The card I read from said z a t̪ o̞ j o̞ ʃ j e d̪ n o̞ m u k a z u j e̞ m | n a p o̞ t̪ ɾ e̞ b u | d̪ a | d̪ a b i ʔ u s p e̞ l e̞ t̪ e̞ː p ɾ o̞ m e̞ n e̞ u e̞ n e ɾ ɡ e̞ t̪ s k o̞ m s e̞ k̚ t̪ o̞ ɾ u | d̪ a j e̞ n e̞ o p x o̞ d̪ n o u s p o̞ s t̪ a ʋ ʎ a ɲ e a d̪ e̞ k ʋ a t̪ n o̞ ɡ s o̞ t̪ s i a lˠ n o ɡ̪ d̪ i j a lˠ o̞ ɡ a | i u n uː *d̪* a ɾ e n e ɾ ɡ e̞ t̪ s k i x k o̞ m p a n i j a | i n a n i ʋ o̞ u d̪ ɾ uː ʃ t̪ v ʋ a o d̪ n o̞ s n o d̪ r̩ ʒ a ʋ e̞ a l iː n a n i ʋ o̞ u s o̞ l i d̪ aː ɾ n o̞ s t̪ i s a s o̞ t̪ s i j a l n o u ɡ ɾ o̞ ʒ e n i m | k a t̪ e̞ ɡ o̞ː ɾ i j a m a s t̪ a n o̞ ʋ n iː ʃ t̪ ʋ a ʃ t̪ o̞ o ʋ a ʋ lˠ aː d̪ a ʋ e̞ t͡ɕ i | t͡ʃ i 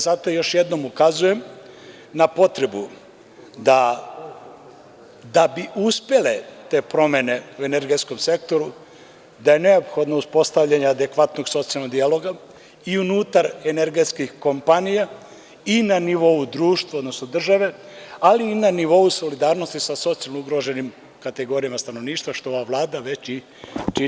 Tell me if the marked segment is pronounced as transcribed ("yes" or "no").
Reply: no